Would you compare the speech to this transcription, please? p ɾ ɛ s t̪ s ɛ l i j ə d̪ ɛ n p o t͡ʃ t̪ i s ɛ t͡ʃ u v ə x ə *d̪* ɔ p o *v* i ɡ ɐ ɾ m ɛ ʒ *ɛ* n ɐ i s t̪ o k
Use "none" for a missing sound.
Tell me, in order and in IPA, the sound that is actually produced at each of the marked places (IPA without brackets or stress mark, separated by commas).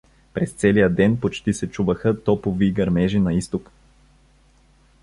t̪, v, i